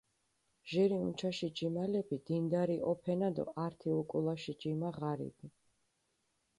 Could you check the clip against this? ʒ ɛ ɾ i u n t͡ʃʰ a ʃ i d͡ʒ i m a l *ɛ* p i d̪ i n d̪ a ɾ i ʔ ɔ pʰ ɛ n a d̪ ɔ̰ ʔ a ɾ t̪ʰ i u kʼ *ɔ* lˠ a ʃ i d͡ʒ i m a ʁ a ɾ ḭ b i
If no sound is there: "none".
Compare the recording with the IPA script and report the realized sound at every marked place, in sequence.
ɛ, u

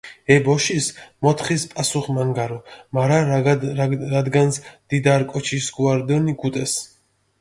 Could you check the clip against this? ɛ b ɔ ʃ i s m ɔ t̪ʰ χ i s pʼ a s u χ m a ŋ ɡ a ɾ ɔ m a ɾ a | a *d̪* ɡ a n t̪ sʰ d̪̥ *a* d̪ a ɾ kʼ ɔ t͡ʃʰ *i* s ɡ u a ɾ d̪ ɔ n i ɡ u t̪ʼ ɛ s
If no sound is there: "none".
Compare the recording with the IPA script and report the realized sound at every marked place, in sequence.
d̪, i, i

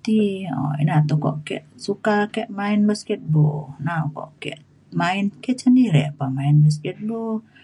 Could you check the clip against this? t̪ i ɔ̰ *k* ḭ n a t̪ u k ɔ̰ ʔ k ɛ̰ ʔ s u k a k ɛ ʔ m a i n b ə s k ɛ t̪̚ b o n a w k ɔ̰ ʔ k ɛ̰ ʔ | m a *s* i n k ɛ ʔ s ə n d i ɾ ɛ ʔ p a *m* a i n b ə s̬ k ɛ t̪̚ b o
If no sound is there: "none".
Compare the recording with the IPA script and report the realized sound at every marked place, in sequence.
none, none, m

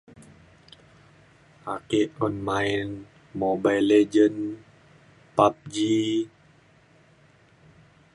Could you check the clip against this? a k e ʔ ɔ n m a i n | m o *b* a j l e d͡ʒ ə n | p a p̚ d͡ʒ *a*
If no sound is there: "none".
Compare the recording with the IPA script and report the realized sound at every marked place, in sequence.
b, i

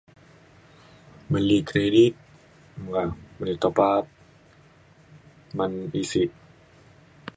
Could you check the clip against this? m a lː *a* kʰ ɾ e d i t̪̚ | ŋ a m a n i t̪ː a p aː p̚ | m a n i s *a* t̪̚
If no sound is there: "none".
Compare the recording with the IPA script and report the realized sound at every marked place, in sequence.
i, i

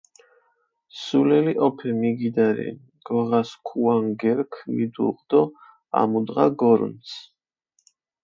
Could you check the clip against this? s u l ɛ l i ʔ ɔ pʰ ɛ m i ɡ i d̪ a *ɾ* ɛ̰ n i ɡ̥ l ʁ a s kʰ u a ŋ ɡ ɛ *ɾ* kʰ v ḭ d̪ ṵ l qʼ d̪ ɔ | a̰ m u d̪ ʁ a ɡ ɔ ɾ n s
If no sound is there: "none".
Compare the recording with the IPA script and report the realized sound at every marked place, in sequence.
ɾ, ɾ

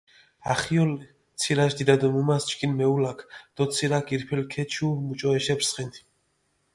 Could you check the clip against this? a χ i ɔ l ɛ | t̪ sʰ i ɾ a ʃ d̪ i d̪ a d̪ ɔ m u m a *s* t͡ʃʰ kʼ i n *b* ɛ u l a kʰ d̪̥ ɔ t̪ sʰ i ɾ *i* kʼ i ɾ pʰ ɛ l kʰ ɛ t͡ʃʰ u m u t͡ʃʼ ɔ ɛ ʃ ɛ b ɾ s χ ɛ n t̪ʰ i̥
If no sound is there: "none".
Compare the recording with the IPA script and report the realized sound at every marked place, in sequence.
s, m, a

